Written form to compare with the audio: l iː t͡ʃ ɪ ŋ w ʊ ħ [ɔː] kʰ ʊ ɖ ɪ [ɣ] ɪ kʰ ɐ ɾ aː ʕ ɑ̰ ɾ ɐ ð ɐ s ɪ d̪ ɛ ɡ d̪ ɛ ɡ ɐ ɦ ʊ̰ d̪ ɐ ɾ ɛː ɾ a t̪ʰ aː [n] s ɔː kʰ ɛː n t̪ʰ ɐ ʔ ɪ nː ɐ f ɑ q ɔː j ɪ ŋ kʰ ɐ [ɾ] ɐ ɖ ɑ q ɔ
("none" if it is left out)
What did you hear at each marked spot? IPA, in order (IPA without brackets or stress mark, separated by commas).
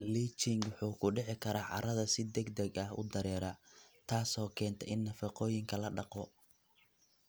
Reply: uː, ʕ, none, l